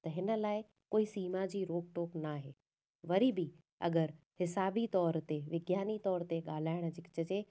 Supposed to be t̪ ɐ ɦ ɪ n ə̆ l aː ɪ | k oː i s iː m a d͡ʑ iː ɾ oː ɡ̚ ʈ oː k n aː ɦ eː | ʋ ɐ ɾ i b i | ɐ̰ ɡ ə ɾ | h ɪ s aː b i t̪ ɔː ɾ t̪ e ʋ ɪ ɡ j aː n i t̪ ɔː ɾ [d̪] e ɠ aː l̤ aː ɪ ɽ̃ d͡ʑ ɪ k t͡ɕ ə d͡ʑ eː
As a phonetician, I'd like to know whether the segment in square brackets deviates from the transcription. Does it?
yes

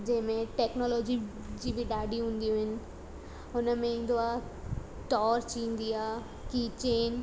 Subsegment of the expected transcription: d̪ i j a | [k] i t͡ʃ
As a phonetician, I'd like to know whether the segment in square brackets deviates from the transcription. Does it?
no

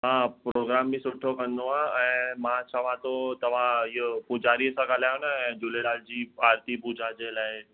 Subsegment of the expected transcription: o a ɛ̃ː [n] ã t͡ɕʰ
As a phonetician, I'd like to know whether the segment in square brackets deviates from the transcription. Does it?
yes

